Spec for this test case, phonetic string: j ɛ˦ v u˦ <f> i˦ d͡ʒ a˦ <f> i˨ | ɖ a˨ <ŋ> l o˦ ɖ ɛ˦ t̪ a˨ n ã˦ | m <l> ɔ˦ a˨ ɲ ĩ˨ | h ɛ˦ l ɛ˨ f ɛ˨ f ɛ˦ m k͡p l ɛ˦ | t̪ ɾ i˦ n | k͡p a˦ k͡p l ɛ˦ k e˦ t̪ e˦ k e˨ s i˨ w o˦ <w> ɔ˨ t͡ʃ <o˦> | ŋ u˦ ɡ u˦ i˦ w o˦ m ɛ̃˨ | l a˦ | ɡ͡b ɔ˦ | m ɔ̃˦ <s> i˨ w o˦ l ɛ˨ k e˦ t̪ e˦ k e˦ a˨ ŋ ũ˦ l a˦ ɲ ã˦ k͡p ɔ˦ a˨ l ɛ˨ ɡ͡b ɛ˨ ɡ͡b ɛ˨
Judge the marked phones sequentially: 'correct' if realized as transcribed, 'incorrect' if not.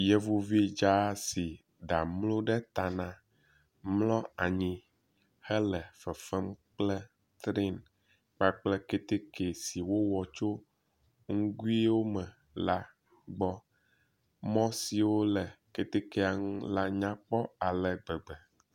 incorrect, incorrect, incorrect, correct, correct, correct, correct

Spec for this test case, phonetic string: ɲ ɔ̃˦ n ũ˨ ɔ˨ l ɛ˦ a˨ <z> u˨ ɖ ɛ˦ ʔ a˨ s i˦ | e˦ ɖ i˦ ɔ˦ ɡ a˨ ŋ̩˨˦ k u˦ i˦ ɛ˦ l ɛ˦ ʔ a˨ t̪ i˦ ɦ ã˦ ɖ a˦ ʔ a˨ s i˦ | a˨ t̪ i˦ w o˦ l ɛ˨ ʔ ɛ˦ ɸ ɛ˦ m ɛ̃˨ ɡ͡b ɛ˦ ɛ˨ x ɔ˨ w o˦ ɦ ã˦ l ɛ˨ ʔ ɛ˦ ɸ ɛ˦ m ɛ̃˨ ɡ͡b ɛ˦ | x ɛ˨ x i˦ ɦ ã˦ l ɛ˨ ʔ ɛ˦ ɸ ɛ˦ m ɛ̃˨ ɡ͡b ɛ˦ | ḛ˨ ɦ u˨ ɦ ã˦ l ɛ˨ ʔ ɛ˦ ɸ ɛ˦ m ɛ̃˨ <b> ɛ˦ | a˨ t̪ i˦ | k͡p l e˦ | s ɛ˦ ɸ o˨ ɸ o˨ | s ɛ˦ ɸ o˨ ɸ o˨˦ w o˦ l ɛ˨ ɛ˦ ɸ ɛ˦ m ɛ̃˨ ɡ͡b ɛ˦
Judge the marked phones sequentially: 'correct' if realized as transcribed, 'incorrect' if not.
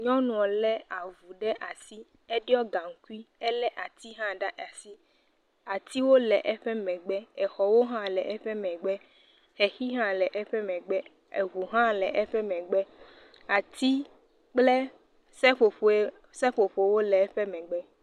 incorrect, incorrect

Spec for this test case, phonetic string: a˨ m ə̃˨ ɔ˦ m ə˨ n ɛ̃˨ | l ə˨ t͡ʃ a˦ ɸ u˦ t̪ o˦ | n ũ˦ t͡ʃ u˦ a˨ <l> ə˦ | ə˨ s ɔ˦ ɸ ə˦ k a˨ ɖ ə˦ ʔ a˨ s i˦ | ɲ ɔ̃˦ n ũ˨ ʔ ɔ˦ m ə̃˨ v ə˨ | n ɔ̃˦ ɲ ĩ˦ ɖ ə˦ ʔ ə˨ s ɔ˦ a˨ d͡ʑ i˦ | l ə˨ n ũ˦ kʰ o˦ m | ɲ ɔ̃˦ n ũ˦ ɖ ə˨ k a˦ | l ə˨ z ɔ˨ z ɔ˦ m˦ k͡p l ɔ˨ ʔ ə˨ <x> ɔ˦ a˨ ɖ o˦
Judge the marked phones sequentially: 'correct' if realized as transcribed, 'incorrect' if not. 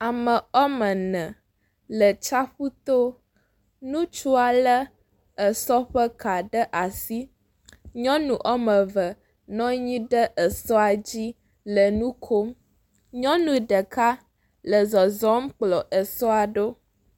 correct, incorrect

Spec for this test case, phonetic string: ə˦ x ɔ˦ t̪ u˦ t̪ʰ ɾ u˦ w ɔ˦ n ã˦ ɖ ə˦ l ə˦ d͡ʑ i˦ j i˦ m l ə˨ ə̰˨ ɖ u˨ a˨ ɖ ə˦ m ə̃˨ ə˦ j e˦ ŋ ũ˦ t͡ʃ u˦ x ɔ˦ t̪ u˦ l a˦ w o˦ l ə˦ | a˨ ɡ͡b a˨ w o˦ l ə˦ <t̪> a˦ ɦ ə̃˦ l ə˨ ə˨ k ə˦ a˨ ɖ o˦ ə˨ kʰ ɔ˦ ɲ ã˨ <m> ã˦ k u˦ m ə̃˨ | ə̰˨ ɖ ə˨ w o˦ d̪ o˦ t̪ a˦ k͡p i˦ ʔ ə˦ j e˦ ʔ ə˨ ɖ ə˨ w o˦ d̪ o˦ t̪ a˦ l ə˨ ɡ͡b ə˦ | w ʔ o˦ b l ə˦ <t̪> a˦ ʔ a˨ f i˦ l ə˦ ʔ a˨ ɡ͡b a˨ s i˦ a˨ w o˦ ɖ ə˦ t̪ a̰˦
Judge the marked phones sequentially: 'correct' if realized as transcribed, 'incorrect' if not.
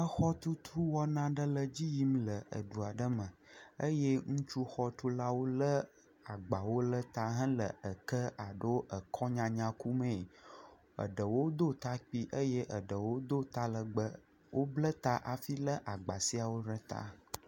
correct, incorrect, correct

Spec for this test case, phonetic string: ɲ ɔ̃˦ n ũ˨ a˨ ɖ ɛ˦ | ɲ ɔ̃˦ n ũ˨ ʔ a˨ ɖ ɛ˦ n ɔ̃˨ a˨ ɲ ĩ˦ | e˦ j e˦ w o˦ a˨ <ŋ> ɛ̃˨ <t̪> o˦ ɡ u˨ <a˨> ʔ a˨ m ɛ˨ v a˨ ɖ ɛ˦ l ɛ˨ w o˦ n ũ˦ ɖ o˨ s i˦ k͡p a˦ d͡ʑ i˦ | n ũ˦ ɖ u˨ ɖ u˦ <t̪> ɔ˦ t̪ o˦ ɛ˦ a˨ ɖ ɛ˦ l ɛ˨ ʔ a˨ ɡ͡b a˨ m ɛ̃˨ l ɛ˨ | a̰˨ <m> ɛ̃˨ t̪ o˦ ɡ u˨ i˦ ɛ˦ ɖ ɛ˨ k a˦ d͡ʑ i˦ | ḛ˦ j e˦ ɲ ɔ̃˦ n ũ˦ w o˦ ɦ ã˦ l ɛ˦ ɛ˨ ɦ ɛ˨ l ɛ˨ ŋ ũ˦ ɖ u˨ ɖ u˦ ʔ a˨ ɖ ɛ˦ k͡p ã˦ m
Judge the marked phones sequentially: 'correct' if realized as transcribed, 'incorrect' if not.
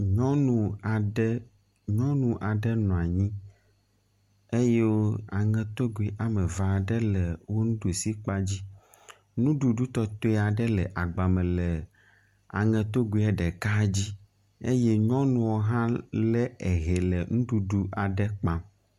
correct, correct, incorrect, correct, incorrect

